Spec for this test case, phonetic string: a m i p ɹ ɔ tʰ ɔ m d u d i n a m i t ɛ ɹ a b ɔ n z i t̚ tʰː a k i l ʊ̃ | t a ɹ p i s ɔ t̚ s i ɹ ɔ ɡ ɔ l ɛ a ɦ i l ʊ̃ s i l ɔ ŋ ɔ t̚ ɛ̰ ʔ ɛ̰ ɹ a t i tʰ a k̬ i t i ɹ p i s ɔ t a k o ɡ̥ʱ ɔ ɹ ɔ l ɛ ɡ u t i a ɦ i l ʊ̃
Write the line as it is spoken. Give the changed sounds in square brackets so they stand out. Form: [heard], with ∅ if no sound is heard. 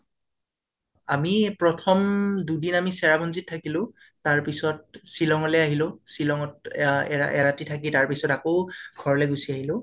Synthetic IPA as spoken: a m i p ɹ ɔ tʰ ɔ m d u d i n a m i [s] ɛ ɹ a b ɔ n z i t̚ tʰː a k i l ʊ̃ | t a ɹ p i s ɔ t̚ s i [l] ɔ [ŋ] ɔ l ɛ a ɦ i l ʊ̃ s i l ɔ ŋ ɔ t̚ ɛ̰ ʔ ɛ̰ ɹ a t i tʰ a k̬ i t [a] ɹ p i s ɔ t a k o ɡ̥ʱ ɔ ɹ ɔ l ɛ ɡ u [s] i a ɦ i l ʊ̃